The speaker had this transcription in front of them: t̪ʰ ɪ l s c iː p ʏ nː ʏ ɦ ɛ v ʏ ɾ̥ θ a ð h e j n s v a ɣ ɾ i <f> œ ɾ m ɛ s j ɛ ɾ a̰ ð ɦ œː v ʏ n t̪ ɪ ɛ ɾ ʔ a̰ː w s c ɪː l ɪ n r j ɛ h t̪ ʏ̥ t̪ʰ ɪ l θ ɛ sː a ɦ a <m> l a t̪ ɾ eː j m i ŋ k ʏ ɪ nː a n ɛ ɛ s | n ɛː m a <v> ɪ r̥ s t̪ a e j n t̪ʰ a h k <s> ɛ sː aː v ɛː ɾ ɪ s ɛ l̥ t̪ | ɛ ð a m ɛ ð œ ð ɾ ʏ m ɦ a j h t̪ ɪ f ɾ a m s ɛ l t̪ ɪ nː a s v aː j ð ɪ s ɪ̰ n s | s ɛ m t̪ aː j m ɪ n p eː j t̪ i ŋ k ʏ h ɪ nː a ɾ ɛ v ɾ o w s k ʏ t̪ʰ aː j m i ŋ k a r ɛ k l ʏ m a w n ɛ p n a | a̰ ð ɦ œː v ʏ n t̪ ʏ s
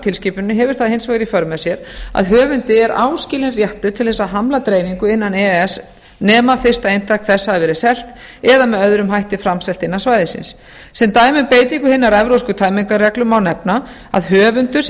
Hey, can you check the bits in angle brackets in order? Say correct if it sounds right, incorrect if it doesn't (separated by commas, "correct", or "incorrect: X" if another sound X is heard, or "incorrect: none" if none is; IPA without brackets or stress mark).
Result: correct, correct, incorrect: f, incorrect: θ